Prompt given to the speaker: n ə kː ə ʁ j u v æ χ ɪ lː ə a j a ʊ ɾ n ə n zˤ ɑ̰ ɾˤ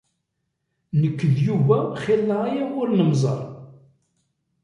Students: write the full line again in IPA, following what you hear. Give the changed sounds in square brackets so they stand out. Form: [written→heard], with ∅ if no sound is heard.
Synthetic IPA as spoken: n ə kː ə [ʁ→ð] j u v æ χ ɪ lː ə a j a ʊ ɾ n ə [n→m] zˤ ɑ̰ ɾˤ